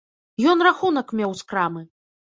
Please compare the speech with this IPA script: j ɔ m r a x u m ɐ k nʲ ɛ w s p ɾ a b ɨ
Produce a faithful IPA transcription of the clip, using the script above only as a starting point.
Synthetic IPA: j ɔ n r a x u n ɐ k mʲ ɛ w s k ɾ a m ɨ